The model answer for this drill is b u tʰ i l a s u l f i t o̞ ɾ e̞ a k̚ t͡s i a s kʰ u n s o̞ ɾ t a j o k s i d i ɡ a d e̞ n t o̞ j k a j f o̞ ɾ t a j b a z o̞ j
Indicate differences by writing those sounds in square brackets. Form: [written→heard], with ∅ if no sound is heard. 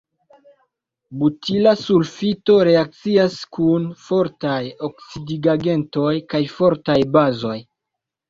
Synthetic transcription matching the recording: b u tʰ i l a s u l f i t o̞ ɾ e̞ a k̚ t͡s i a s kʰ u n [s→f] o̞ ɾ t a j o k s i d i ɡ a [d→ɡ] e̞ n t o̞ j k a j f o̞ ɾ t a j b a z o̞ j